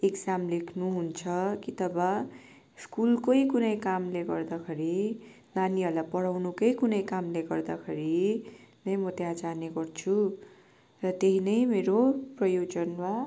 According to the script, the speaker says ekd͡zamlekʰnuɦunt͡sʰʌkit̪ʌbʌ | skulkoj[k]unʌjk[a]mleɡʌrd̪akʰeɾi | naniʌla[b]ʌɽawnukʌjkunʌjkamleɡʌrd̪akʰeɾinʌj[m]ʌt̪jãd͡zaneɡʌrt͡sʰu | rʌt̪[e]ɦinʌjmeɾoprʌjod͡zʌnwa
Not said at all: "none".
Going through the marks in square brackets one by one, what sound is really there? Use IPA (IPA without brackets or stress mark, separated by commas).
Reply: k, a, p, m, e